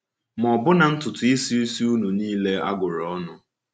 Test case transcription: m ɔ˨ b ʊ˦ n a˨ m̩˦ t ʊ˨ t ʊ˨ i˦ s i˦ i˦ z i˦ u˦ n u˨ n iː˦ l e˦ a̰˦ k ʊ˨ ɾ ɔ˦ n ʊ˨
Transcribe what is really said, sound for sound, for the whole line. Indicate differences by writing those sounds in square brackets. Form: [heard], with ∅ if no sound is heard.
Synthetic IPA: m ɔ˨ b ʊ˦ n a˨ [n̩˦] t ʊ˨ t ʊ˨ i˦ s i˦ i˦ [s] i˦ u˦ n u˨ n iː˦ l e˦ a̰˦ [ɡ] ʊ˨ ɾ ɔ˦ n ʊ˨